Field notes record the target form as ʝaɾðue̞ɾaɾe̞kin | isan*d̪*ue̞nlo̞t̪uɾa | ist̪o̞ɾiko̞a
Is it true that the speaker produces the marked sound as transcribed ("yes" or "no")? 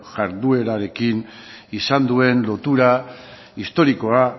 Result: yes